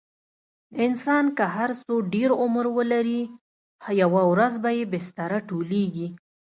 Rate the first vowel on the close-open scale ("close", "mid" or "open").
close